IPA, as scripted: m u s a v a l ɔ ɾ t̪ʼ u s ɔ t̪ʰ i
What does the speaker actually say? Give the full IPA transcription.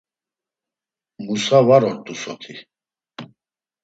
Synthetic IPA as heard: m u s a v a ɾ ɔ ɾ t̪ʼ u s ɔ t̪ʰ i